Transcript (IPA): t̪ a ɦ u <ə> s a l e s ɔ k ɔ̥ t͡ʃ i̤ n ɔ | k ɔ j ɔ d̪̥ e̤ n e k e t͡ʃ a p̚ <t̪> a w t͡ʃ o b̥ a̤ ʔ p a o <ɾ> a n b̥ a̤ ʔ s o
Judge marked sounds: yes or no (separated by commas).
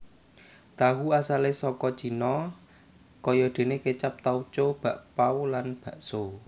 no, yes, no